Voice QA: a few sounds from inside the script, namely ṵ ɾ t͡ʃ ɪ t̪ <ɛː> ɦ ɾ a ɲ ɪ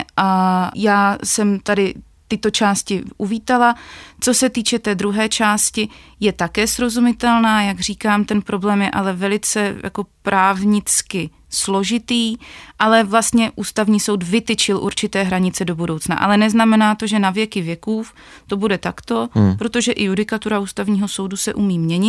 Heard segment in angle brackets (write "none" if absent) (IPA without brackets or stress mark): ɛː